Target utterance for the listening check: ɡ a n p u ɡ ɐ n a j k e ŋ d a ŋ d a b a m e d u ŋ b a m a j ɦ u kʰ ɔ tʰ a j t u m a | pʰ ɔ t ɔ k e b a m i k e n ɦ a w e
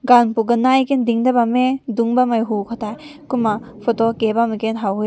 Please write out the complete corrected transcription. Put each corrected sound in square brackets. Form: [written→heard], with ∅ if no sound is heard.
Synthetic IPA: ɡ a n p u ɡ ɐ n a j k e [ŋ→n] d [a→i] ŋ d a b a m e d u ŋ b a m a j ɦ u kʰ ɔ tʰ a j [t→k] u m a | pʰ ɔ t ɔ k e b a m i k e n ɦ a w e